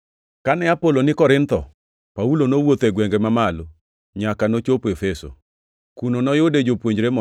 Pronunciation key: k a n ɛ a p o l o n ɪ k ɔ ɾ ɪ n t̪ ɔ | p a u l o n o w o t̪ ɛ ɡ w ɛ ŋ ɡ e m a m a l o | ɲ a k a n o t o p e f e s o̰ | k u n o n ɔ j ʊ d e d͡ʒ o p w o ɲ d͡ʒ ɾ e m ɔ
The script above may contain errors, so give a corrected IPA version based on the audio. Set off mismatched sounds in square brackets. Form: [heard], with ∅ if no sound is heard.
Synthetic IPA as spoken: k a n ɛ a p o l o n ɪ k ɔ ɾ ɪ n t̪ ɔ | p a u l o n o w o t̪ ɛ ɡ w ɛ ŋ ɡ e m a m a l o | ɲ a k a n o [t͡ʃ] o p e f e s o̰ | k u n o n ɔ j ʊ d e d͡ʒ o p w o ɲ d͡ʒ ɾ e m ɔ